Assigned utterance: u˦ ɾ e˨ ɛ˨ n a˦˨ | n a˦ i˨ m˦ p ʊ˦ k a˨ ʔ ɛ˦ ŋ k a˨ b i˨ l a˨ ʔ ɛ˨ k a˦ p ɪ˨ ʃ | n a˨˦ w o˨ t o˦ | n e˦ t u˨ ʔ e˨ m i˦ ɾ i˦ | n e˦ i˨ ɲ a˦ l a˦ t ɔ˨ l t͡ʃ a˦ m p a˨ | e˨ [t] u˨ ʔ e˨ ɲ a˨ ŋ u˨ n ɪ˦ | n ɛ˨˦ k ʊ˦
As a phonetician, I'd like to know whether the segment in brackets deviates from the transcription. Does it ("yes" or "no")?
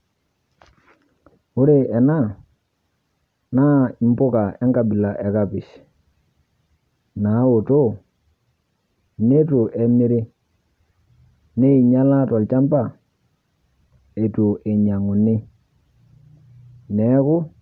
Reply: no